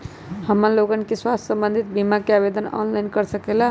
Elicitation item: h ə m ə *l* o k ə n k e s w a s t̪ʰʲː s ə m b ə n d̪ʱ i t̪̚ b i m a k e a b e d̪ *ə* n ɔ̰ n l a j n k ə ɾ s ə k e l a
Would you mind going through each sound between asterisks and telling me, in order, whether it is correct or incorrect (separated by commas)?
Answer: correct, correct